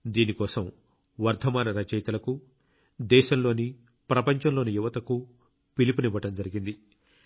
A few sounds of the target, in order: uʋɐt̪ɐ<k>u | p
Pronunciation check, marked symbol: correct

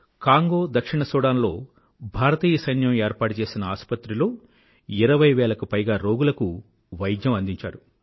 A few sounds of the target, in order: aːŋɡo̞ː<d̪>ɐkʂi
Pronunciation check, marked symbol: correct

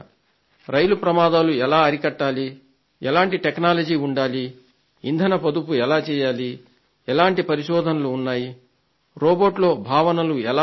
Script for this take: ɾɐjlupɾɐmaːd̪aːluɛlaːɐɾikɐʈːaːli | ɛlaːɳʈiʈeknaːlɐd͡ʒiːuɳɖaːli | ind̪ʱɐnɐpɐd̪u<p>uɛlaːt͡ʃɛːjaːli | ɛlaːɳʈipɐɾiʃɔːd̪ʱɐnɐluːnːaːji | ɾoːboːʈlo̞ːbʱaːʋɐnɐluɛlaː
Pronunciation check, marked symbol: correct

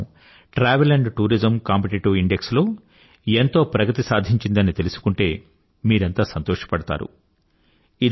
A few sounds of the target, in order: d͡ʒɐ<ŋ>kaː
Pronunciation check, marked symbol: incorrect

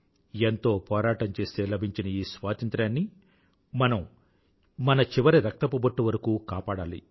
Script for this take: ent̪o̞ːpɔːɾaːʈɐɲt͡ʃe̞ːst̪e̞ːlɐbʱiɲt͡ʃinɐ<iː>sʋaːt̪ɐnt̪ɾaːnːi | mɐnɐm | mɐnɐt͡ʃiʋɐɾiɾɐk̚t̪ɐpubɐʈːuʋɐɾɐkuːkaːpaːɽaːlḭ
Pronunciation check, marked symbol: correct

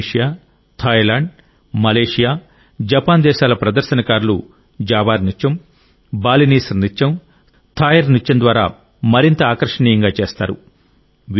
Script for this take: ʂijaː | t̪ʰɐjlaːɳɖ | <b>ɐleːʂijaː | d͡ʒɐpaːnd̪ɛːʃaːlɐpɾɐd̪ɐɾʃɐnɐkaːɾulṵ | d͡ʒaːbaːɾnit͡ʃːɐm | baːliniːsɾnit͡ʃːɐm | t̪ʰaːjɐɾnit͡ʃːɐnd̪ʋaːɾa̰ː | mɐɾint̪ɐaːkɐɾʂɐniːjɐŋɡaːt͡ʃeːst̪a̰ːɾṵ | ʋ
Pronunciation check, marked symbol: incorrect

